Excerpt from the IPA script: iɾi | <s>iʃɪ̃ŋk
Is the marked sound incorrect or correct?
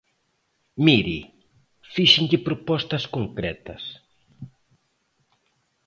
incorrect